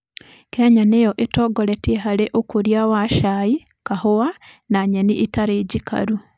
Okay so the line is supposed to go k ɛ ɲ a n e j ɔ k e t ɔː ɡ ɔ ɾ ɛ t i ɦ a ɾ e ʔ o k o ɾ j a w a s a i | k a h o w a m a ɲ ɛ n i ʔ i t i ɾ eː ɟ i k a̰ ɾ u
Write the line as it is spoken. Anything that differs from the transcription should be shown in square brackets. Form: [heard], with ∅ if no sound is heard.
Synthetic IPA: k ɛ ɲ a n e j ɔ [ʔ] e t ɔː ɡ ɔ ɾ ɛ t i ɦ a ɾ e ʔ o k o ɾ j a w a [ʃ] a i | k a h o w a [n] a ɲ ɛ n i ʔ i t [a] ɾ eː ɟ i k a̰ ɾ u